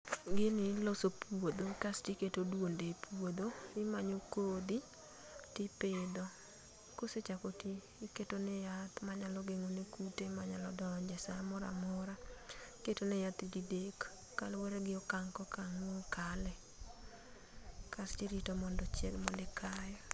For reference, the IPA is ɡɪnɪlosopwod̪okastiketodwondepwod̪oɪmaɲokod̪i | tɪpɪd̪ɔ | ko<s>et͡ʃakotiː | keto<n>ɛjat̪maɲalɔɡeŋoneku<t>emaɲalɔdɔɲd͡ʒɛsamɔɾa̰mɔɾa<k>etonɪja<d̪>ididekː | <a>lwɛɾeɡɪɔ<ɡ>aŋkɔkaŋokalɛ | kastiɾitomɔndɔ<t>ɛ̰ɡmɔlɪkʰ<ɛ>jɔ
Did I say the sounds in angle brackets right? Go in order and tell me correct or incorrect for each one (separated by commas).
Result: correct, correct, correct, correct, incorrect, correct, incorrect, incorrect, incorrect